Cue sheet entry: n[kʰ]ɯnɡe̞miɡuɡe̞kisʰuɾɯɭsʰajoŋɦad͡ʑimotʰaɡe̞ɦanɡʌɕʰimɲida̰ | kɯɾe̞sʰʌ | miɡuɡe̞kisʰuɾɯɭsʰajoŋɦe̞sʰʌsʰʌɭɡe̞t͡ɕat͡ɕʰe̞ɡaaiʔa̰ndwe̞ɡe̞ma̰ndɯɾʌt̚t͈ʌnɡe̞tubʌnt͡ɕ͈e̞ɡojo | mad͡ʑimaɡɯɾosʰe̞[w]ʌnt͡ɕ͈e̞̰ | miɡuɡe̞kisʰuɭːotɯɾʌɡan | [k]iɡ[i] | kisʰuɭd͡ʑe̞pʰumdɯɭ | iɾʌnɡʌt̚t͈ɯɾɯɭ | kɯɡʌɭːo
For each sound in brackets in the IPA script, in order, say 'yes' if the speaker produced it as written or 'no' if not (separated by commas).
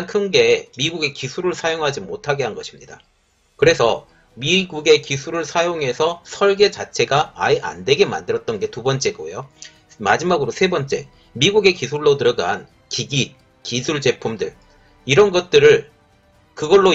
yes, no, yes, yes